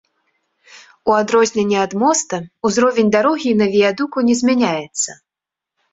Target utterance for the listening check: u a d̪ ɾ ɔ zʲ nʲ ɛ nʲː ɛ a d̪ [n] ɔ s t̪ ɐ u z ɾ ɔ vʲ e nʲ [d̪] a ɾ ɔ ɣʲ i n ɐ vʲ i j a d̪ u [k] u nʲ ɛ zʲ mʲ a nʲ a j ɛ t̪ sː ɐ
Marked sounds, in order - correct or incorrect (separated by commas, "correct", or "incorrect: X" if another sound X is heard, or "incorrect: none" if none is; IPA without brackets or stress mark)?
incorrect: m, correct, correct